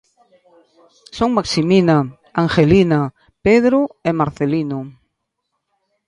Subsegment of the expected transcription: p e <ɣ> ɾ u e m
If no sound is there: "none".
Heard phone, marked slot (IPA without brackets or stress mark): ð